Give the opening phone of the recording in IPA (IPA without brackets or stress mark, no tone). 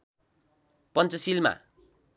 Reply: p